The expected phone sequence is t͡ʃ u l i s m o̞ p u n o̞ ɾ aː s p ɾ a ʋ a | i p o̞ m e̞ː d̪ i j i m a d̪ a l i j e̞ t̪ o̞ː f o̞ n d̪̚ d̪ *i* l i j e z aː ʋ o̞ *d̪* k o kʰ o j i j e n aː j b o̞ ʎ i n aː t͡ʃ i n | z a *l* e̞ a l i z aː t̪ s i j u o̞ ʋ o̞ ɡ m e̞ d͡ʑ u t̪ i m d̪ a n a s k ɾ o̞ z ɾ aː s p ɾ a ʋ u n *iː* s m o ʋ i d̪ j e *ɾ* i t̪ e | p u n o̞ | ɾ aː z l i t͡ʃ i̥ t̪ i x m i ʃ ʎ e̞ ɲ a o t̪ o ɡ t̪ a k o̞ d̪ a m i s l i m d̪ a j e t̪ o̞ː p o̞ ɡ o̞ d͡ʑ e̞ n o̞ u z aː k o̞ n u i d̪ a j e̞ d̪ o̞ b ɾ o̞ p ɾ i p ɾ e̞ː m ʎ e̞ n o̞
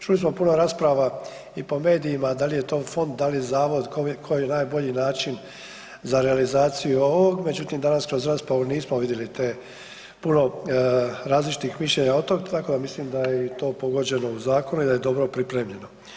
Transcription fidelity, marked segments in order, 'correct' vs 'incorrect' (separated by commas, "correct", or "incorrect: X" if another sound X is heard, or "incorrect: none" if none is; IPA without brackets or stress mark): incorrect: a, correct, incorrect: ɾ, correct, incorrect: l